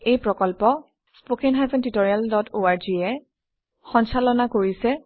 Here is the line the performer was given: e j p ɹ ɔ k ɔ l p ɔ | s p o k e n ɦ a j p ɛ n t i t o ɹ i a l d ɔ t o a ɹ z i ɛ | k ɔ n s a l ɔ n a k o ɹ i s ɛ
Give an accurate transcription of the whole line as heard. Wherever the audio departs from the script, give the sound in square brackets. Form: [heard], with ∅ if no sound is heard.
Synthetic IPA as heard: e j p ɹ ɔ k ɔ l p ɔ | s p o k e n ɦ a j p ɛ n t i t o ɹ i a l d ɔ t o a ɹ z i ɛ | [x] ɔ n s a l ɔ n a k o ɹ i s ɛ